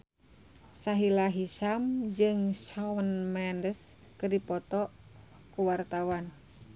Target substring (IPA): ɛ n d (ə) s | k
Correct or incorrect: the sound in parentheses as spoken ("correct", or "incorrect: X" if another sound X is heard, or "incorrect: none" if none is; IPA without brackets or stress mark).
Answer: correct